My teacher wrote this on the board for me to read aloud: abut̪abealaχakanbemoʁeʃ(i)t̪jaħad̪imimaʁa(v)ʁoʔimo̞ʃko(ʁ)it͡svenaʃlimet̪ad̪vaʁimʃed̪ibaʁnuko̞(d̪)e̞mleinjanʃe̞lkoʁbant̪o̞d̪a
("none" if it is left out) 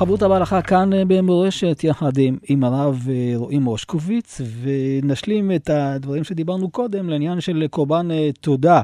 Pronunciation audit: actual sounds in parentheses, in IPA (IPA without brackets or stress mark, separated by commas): e, v, v, d̪